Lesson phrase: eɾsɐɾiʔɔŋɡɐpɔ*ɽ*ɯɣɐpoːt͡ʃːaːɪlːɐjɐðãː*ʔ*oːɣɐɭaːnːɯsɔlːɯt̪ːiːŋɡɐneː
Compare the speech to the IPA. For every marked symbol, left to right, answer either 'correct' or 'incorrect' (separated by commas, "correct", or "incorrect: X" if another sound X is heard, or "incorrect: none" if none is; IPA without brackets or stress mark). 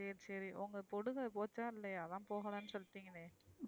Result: correct, incorrect: p